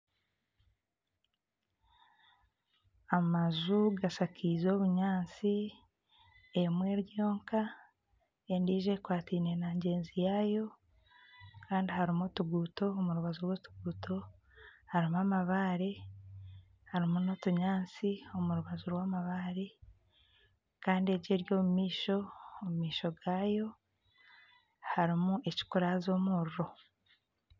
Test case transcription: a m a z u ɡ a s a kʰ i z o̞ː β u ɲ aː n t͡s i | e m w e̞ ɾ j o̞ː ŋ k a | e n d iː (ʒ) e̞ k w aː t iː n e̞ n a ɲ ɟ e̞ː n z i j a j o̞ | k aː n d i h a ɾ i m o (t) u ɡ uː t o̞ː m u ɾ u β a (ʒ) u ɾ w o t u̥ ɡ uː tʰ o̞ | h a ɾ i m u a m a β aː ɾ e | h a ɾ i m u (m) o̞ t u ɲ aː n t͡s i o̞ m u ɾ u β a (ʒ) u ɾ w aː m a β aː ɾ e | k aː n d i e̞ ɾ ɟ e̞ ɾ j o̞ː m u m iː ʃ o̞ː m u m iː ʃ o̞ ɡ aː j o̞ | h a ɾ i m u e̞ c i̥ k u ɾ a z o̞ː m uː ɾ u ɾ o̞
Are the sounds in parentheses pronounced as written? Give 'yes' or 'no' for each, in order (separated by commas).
yes, yes, no, no, no